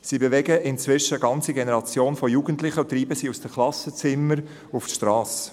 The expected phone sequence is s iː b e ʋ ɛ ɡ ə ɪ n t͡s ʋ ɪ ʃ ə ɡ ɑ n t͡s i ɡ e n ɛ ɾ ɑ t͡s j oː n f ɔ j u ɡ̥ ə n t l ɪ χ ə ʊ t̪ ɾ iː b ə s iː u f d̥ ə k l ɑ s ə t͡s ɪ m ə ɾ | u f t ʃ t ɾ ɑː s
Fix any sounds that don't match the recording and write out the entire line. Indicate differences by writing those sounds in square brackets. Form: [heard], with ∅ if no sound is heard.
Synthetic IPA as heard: s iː b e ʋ ɛ ɡ ə ɪ n t͡s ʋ ɪ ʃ ə ɡ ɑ n t͡s i ɡ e n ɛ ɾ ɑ t͡s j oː n f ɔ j u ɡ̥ ə n t l ɪ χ ə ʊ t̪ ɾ iː b ə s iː u [s] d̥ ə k l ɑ s ə t͡s ɪ m ə ɾ | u f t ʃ t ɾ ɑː s